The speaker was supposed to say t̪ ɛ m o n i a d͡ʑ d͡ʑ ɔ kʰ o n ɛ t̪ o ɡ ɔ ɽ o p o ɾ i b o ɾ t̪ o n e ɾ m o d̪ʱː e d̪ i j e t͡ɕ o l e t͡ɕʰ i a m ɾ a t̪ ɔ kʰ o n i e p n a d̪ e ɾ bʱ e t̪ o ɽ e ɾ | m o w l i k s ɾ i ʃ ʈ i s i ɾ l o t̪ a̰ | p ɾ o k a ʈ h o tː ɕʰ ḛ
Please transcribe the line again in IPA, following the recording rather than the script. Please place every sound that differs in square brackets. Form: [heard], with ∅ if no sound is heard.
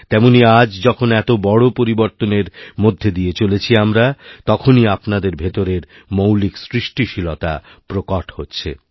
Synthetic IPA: t̪ ɛ m o n i a d͡ʑ d͡ʑ ɔ kʰ o n ɛ t̪ o [b] ɔ ɽ o p o ɾ i b o ɾ t̪ o n e ɾ m o d̪ʱː e d̪ i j e t͡ɕ o l e t͡ɕʰ i a m ɾ a t̪ ɔ kʰ o n i [a] p n a d̪ e ɾ bʱ e t̪ o [ɾ] e ɾ | m o w l i k s ɾ i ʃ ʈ i [ʃ] i [∅] l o t̪ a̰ | p ɾ o k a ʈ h o tː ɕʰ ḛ